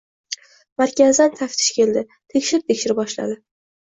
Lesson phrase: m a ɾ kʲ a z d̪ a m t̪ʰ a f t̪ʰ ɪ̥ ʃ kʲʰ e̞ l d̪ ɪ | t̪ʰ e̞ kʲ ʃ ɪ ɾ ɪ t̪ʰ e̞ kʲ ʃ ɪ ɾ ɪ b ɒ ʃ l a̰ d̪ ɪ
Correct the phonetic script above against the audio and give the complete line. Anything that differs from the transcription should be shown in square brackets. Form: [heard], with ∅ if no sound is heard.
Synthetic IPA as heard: m a ɾ kʲ a z d̪ a [n] t̪ʰ a f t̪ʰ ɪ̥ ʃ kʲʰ e̞ l d̪ ɪ | t̪ʰ e̞ kʲ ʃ ɪ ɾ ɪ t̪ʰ e̞ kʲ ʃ ɪ ɾ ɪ b ɒ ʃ l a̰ d̪ ɪ